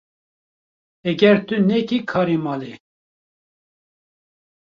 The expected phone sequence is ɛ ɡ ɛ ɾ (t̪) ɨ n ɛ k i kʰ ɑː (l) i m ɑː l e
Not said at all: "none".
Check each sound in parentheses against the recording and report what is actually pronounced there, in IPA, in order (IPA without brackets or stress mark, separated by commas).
t̪, ɾ